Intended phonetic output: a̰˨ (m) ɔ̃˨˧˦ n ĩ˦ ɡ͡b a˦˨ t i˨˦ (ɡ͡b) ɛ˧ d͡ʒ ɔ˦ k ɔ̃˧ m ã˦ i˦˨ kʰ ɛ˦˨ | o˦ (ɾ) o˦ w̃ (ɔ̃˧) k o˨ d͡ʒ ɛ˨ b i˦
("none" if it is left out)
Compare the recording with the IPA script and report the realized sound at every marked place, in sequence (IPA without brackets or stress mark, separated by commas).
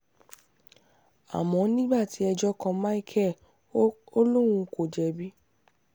m, none, l, ũ˧